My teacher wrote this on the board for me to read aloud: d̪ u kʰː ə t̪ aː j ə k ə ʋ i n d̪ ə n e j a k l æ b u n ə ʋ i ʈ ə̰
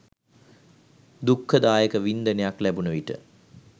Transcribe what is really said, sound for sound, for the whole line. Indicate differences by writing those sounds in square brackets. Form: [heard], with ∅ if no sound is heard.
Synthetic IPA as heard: d̪ u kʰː ə [d̪] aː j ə k ə ʋ i n d̪ ə n e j a k l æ b u n ə ʋ i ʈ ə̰